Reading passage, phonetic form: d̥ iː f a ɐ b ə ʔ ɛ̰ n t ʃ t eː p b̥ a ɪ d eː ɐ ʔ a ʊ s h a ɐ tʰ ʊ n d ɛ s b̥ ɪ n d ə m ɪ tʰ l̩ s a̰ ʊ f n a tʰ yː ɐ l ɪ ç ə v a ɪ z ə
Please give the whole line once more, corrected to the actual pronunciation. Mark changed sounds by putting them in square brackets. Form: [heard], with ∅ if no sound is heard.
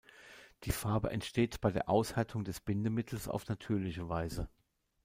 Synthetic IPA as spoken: d̥ iː f a ɐ b ə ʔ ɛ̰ n t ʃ t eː [t] b̥ a ɪ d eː ɐ ʔ a ʊ s h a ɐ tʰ ʊ [ŋ] d ɛ s b̥ ɪ n d ə m ɪ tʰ l̩ s a̰ ʊ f n a tʰ yː ɐ l ɪ ç ə v a ɪ z ə

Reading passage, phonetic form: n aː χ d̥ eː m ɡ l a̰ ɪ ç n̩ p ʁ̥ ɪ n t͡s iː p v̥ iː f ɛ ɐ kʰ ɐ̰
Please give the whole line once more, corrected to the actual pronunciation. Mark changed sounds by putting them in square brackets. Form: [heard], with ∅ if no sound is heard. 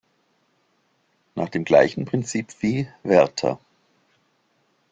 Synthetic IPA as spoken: n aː χ d̥ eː m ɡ l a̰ ɪ ç n̩ p ʁ̥ ɪ n t͡s iː p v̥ iː [v] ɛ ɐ [tʰ] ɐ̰

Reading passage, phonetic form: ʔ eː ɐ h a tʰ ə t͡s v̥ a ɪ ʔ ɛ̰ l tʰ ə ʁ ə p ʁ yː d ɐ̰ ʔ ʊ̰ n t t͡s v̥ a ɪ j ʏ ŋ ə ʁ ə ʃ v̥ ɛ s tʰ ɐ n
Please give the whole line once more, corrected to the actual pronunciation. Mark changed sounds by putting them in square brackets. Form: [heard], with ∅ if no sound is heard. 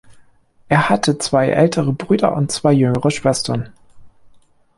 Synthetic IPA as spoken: ʔ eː ɐ h a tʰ ə t͡s v̥ a ɪ ʔ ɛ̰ l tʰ ə ʁ ə [b] ʁ yː d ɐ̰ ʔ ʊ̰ n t t͡s v̥ a ɪ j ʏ ŋ ə ʁ ə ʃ v̥ ɛ s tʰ ɐ n

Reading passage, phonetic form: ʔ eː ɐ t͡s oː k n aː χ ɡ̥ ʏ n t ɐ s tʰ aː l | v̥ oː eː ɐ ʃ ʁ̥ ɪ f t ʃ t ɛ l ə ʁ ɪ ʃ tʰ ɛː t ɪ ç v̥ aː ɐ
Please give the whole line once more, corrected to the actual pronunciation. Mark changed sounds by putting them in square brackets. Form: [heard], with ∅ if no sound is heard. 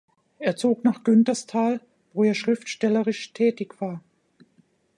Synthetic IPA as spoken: ʔ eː ɐ t͡s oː k n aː χ ɡ̥ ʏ n t ɐ s tʰ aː l | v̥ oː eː ɐ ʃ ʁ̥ ɪ f t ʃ t ɛ l ə ʁ ɪ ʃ tʰ ɛː t ɪ ç v̥ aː ɐ

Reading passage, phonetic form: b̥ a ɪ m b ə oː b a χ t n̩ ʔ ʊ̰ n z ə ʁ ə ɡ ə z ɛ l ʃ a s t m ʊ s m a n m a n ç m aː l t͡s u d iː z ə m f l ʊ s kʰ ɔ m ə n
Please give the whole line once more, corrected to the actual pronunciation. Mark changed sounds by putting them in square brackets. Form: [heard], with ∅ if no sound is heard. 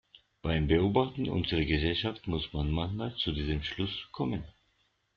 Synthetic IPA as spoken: b̥ a ɪ m b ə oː b a χ t n̩ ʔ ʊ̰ n z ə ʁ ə ɡ ə z ɛ l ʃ a [f] t m ʊ s m a n m a n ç m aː l t͡s u d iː z ə m [ʃ] l ʊ s kʰ ɔ m ə n

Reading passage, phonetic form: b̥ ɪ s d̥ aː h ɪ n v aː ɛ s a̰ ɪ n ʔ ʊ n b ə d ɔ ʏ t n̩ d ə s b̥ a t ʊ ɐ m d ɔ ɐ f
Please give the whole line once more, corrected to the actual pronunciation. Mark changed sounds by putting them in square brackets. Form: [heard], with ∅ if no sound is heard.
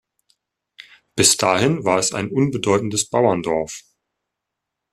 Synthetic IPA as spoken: b̥ ɪ s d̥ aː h ɪ n v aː ɛ s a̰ ɪ n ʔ ʊ n b ə d ɔ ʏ t n̩ d ə s b̥ a [∅] ʊ ɐ [n] d ɔ ɐ f

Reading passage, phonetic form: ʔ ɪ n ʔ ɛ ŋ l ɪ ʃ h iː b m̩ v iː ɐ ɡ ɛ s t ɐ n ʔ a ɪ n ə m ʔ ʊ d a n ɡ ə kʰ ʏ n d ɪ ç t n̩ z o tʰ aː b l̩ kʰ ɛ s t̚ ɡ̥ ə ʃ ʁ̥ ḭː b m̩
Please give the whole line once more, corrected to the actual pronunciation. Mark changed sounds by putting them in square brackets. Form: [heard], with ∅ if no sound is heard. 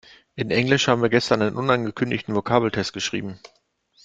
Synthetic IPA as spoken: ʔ ɪ n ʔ ɛ ŋ l ɪ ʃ h [aː] b m̩ v iː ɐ ɡ ɛ s t ɐ n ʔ a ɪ n ə [n] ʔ ʊ [n] a n ɡ ə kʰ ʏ n d ɪ ç t n̩ [v] o [kʰ] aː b l̩ [tʰ] ɛ s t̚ ɡ̥ ə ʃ ʁ̥ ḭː b m̩

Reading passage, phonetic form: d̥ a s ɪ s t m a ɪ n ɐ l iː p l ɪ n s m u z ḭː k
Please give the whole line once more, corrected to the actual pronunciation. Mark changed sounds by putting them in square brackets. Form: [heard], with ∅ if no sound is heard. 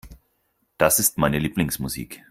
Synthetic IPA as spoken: d̥ a s ɪ s t m a ɪ n [ə] l iː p l ɪ [ŋ] s m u z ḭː k

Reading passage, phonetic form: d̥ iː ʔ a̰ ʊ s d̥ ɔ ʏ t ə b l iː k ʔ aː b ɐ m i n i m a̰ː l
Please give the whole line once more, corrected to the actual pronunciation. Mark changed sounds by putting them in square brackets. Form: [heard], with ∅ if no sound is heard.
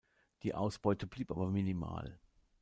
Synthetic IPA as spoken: d̥ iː ʔ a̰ ʊ s [b̥] ɔ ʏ t ə b l iː [p] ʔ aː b ɐ m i n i m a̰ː l

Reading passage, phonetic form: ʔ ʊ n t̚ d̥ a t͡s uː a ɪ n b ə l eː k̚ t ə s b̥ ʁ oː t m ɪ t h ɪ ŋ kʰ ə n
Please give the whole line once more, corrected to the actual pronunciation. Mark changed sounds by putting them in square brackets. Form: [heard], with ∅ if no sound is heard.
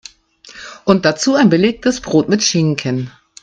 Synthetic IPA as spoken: ʔ ʊ n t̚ d̥ a t͡s uː a ɪ n b ə l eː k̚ t ə s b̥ ʁ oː t m ɪ t [ʃ] ɪ ŋ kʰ ə n

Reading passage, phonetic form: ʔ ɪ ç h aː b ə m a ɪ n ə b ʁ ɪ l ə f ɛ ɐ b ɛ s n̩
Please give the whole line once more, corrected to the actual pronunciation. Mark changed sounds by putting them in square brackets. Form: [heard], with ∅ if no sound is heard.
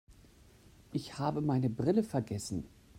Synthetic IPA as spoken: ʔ ɪ ç h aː b ə m a ɪ n ə b ʁ ɪ l ə f ɛ ɐ [ɡ] ɛ s n̩

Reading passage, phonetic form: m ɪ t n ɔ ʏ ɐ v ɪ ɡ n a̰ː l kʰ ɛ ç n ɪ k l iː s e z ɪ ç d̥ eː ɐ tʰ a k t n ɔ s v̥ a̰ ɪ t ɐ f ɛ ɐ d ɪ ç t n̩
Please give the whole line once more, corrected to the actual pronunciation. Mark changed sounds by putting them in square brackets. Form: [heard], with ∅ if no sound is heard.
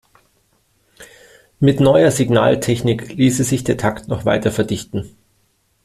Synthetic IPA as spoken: m ɪ t n ɔ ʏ ɐ [z] ɪ ɡ n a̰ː l [tʰ] ɛ ç n ɪ k l iː s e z ɪ ç d̥ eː ɐ tʰ a k t n ɔ [χ] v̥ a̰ ɪ t ɐ f ɛ ɐ d ɪ ç t n̩

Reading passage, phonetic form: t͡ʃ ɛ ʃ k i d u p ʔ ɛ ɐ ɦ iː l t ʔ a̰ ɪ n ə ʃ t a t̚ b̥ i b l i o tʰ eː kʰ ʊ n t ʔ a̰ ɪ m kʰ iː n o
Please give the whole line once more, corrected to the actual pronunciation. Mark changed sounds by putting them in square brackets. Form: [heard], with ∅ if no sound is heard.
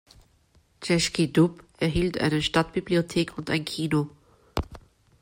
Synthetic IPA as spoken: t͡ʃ ɛ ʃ k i d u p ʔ ɛ ɐ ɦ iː l t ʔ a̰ ɪ n ə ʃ t a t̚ b̥ i b l i o tʰ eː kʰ ʊ n t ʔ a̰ ɪ [n] kʰ iː n o

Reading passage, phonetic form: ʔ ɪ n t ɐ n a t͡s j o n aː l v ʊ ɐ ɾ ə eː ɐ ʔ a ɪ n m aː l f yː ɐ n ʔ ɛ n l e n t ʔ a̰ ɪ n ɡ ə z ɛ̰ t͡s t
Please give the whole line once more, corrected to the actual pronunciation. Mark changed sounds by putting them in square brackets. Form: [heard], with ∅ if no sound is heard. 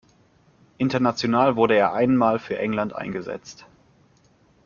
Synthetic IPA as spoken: ʔ ɪ n t ɐ n a t͡s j o n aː l v ʊ ɐ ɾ ə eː ɐ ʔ a ɪ n m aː l f yː ɐ [∅] ʔ ɛ [ŋ] l [a] n t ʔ a̰ ɪ n ɡ ə z ɛ̰ t͡s t

